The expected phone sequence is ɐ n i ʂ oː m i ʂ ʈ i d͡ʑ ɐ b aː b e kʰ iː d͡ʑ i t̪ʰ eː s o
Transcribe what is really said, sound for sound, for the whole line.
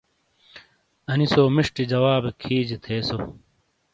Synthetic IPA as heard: ɐ n i s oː m i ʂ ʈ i d͡ʑ ɐ w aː b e kʰ iː d͡ʑ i t̪ʰ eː s o

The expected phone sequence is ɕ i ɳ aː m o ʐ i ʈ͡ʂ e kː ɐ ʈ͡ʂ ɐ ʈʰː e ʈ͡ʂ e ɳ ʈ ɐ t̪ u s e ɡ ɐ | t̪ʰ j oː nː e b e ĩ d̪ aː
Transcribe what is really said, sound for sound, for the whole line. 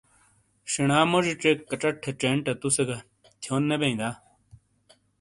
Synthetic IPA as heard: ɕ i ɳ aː m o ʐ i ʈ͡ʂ e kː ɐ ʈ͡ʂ ɐ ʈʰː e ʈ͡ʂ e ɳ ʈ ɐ t̪ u s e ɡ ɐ | t̪ʰ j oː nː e b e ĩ d̪ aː

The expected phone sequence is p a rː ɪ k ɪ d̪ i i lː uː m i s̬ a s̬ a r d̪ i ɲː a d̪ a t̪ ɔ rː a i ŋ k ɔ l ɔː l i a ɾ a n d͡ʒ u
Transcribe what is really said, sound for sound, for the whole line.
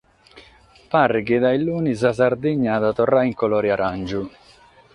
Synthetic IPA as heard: p a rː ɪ k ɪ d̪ a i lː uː n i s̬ a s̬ a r d̪ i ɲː a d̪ a t̪ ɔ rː a i ŋ k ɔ l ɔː ɾ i a ɾ a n d͡ʒ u

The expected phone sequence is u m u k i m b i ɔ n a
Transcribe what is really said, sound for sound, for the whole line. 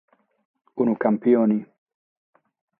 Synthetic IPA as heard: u n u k a m p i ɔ n i

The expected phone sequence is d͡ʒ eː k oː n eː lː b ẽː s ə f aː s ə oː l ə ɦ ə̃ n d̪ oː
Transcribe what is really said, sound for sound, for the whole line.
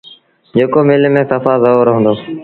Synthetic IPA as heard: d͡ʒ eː k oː m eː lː m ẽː s ə f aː z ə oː ɾ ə ɦ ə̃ n d̪ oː

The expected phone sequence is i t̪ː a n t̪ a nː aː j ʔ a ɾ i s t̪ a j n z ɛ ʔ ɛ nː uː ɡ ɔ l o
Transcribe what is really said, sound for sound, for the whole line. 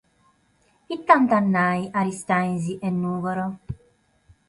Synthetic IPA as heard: i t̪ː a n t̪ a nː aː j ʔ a ɾ i s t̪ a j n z i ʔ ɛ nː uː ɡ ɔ ɾ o

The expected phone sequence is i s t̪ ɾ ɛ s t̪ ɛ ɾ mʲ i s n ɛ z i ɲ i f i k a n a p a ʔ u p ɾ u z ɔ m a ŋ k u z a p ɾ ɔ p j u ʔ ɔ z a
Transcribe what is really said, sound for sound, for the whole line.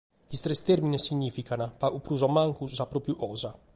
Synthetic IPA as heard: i s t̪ ɾ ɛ s t̪ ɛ ɾ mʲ i n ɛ s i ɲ i f i k a n a p a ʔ u p ɾ u z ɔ m a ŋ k u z a p ɾ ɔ p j u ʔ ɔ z a

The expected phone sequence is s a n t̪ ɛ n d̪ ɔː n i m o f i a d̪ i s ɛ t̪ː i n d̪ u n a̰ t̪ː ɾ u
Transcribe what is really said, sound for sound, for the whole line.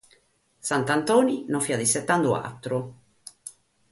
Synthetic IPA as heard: s a n t̪ a n t̪ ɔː n i n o f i a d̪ i s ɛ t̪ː a n d̪ u a̰ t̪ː ɾ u

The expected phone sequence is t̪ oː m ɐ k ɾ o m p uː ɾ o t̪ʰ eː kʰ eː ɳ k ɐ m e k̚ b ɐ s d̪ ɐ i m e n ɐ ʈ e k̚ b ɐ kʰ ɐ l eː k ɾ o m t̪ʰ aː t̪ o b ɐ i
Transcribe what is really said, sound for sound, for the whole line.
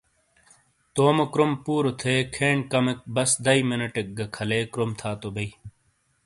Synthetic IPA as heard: t̪ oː m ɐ k ɾ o m p uː ɾ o t̪ʰ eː kʰ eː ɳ k ɐ m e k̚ b ɐ s d̪ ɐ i m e n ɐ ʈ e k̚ ɡ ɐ kʰ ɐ l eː k ɾ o m t̪ʰ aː t̪ o b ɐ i

